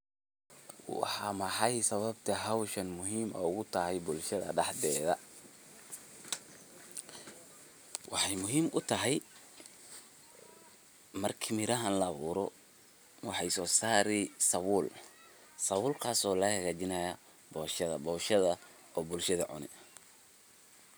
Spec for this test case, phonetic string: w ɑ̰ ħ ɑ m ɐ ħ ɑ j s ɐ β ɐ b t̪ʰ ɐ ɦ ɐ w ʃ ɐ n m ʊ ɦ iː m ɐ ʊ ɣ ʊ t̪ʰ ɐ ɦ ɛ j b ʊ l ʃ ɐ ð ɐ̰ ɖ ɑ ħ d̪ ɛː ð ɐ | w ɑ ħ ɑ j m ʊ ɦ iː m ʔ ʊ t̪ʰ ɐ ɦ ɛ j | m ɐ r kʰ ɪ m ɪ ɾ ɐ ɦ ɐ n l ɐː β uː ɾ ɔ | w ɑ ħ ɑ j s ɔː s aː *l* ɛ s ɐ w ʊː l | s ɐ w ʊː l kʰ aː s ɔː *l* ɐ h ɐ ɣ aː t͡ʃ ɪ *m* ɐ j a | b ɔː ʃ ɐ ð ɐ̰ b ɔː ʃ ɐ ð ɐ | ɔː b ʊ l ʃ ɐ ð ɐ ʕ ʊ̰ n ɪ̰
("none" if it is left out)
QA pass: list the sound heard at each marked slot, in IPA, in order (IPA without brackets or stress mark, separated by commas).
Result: ɾ, l, n